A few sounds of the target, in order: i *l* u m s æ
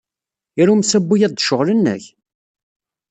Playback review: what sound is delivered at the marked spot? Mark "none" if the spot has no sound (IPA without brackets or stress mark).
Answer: ɾ